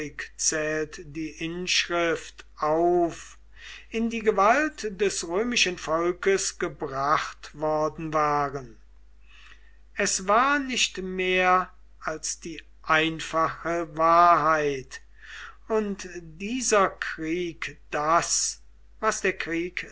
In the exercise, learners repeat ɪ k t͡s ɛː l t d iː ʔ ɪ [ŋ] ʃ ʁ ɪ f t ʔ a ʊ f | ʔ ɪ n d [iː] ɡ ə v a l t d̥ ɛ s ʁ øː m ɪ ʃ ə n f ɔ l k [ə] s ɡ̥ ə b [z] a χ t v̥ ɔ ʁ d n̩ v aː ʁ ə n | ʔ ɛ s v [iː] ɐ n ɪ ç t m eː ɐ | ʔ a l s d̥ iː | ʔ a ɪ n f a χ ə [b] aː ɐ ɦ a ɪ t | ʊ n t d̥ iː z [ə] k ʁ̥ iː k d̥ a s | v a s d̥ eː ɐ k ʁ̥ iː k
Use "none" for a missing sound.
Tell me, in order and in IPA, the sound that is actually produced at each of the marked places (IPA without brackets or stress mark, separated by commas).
n, iː, ə, ʁ, aː, v, ɐ